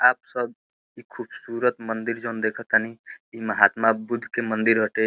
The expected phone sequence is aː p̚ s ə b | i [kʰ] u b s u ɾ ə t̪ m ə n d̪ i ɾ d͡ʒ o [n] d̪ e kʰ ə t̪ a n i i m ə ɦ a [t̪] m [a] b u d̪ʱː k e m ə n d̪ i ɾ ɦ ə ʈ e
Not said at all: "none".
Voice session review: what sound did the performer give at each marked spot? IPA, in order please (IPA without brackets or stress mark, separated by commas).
kʰ, n, t̪, a